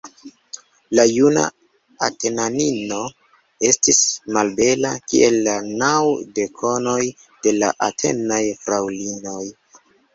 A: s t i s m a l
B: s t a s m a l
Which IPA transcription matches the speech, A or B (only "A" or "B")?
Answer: A